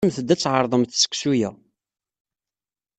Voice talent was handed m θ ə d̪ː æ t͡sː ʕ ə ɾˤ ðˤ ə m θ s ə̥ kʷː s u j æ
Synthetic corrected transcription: m θ ə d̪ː æ t͡sː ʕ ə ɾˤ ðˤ ə m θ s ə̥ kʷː s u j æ